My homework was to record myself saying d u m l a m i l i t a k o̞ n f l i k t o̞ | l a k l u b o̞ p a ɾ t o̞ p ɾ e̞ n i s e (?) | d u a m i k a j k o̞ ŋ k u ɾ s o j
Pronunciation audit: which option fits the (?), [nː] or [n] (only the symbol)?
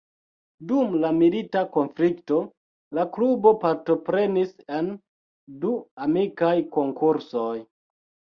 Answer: n